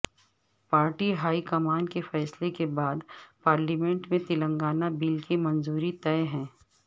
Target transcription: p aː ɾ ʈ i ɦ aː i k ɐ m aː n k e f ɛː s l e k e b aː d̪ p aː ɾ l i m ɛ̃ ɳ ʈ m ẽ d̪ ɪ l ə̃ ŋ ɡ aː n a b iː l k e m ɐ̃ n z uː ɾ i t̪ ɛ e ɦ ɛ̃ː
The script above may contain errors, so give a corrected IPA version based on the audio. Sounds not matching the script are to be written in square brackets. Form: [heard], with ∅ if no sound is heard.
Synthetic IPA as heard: p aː ɾ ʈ i ɦ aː i k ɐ m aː n k e f ɛː s l e k e b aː d̪ p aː ɾ l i m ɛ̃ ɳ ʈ m ẽ [t̪] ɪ l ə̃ ŋ ɡ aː n a b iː l k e m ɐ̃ n z uː ɾ i t̪ ɛ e ɦ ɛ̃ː